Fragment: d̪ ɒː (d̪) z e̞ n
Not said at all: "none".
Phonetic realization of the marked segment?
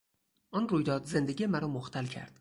d̪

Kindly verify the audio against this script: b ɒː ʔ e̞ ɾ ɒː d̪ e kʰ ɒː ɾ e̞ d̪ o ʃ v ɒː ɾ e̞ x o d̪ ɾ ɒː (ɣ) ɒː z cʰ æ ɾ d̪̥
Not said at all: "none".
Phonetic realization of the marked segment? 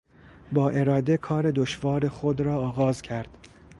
ɣ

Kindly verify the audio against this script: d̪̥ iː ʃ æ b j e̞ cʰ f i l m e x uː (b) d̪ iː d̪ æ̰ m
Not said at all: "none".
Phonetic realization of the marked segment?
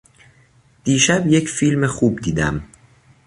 b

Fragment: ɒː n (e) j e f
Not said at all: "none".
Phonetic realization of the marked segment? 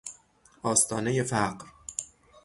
e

